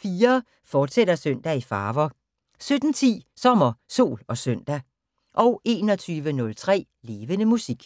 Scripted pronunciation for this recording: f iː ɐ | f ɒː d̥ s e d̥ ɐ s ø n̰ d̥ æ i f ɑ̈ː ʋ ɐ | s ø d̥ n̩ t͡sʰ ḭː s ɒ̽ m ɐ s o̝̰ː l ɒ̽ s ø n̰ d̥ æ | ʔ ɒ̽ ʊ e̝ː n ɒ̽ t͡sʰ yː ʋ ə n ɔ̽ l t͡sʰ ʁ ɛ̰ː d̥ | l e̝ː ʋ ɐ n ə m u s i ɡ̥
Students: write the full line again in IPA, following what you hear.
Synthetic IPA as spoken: f iː ɐ | f ɒː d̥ s e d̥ ɐ s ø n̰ d̥ æ i f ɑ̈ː ʋ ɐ | s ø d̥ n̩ t͡sʰ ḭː s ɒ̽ m ɐ s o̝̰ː l ɒ̽ s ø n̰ d̥ æ | ʔ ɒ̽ ʊ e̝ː n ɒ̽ t͡sʰ yː ʋ ə n ɔ̽ l t͡sʰ ʁ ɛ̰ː | l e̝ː ʋ ə n ə m u s i ɡ̥